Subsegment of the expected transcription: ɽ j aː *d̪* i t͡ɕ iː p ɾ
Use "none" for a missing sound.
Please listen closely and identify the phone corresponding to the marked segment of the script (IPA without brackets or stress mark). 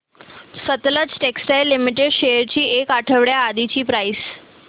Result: d̪